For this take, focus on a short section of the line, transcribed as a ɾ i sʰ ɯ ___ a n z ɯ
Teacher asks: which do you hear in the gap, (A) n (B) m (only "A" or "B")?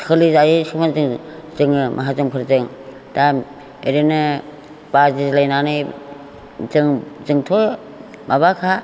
B